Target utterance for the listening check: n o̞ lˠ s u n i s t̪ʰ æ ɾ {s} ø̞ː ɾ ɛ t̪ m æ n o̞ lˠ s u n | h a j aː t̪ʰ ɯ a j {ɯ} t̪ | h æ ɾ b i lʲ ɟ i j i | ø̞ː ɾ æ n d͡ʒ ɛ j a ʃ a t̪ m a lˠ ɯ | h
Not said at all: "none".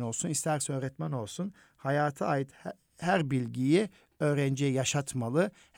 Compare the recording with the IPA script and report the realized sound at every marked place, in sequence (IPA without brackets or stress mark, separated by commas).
s, ɯ